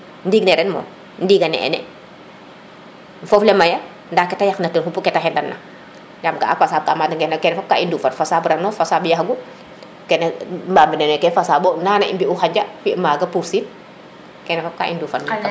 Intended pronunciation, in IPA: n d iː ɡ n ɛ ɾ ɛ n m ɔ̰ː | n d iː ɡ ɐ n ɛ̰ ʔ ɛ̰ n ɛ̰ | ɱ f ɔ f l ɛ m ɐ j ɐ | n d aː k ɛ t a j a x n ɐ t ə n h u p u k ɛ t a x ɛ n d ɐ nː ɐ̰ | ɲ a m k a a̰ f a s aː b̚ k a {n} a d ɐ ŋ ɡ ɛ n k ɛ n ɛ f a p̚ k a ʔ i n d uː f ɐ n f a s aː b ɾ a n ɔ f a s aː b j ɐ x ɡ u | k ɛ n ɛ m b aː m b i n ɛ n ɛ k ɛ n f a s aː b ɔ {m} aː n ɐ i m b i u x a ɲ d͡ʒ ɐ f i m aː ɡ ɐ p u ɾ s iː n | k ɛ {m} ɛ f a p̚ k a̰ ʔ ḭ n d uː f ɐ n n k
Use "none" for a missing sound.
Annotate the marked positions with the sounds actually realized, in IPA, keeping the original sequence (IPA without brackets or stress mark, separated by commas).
m, n, n